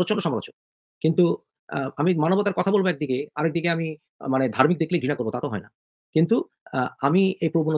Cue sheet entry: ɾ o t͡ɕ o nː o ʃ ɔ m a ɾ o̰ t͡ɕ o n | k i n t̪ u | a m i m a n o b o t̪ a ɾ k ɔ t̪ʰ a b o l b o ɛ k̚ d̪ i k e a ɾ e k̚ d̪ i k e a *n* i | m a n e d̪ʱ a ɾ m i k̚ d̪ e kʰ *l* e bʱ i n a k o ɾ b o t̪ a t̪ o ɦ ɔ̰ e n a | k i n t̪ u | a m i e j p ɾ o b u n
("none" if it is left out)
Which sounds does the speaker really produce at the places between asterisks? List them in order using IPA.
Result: m, l

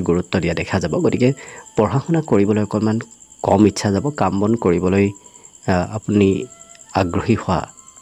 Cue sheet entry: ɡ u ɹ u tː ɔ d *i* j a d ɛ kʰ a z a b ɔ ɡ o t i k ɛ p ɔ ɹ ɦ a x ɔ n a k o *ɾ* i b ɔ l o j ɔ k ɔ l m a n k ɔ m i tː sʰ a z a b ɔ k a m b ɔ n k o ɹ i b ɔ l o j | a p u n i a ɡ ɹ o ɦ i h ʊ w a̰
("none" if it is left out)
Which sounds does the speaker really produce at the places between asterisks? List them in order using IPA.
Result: i, ɹ

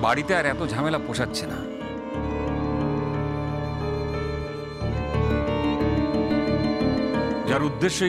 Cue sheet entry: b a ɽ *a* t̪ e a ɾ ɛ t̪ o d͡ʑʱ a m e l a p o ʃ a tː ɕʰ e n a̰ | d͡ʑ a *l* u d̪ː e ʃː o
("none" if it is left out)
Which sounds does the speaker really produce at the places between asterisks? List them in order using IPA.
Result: i, ɾ

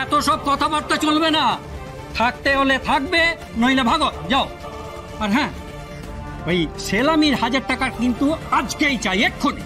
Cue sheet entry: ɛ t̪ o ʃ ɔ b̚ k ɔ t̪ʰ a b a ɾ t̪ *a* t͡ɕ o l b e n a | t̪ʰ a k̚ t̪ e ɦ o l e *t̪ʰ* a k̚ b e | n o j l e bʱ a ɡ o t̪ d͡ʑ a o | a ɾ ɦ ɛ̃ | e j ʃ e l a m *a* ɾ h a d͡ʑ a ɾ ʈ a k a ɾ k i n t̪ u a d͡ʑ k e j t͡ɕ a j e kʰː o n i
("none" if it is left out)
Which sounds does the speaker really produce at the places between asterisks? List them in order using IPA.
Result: a, t̪ʰ, i

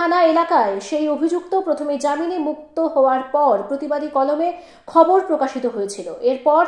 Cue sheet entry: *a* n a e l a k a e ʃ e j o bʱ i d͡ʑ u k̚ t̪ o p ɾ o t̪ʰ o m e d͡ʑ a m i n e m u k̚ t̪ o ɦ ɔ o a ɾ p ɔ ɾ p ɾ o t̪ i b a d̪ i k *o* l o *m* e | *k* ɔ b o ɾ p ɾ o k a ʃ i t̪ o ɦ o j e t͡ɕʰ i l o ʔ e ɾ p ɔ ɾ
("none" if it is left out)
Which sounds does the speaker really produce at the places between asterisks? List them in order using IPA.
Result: a, ɔ, m, kʰ

